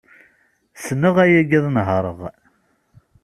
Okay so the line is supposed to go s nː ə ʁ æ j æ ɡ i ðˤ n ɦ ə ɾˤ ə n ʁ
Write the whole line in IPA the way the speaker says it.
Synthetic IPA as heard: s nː ə ʁ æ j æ ɡ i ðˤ n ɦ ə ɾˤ ə ʁ